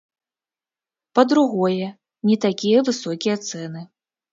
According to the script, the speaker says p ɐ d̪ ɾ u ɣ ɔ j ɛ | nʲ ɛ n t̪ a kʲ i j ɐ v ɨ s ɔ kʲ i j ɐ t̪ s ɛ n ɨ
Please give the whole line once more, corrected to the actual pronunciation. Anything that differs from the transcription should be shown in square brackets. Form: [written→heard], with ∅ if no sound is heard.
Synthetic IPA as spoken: p ɐ d̪ ɾ u ɣ ɔ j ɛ | nʲ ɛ [n→∅] t̪ a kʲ i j ɐ v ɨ s ɔ kʲ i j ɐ t̪ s ɛ n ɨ

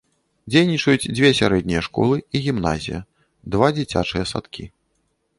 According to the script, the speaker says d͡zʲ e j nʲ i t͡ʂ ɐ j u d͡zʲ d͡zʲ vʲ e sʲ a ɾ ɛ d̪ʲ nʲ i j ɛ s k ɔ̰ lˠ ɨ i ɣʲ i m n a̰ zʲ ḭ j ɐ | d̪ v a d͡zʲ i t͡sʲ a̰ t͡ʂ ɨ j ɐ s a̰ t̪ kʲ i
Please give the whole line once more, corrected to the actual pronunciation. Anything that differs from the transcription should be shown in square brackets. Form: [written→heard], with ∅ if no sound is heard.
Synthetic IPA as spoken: d͡zʲ e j nʲ i t͡ʂ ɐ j u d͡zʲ d͡zʲ vʲ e sʲ a ɾ ɛ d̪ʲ nʲ i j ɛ [s→ʂ] k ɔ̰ lˠ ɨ i ɣʲ i m n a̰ zʲ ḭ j ɐ | d̪ v a d͡zʲ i t͡sʲ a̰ t͡ʂ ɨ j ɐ s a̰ t̪ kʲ i

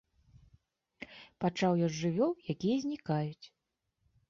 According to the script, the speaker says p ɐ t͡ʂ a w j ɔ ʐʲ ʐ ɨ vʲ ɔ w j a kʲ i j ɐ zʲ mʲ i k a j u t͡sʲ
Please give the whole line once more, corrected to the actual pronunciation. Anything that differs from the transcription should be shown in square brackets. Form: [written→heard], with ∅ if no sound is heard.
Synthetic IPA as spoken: p [ɐ→a] t͡ʂ a w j ɔ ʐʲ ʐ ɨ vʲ ɔ w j a kʲ i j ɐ zʲ [mʲ→nʲ] i k a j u t͡sʲ

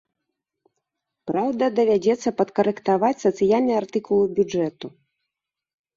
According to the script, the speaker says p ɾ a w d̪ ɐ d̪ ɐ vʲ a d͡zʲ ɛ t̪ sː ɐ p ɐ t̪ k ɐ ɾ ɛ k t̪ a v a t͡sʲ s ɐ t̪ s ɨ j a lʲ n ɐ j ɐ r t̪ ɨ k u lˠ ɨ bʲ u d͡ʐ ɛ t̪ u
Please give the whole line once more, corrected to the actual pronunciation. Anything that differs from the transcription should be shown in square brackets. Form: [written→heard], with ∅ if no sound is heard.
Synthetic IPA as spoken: p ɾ a w d̪ ɐ d̪ ɐ vʲ a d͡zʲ ɛ t̪ sː ɐ p ɐ t̪ k ɐ ɾ ɛ k t̪ a v a t͡sʲ s ɐ t̪ s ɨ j a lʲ n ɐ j [ɐ→a] r t̪ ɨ k u lˠ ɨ bʲ u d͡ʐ ɛ t̪ u

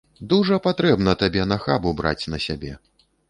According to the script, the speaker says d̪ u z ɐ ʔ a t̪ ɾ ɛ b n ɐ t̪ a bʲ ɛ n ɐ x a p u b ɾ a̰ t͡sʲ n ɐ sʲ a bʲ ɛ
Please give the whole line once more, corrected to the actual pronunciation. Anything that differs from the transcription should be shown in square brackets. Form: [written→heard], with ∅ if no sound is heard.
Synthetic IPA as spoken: d̪ u [z→ʐ] ɐ [ʔ→p] a t̪ ɾ ɛ b n ɐ t̪ a bʲ ɛ n ɐ x a [p→b] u b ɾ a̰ t͡sʲ n ɐ sʲ a bʲ ɛ

